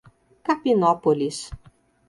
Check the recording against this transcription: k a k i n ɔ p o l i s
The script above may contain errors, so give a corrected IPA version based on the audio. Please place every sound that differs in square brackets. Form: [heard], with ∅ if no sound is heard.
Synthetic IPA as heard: k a [p] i n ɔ p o l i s